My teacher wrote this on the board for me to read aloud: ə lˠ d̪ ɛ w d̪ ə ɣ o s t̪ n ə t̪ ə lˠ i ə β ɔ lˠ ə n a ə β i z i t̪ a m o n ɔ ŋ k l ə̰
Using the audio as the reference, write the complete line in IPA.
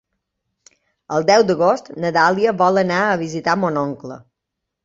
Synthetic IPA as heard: ə lˠ d̪ ɛ w d̪ ə ɣ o s t̪ n ə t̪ a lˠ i ə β ɔ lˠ ə n a ə β i z i t̪ a m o n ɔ ŋ k l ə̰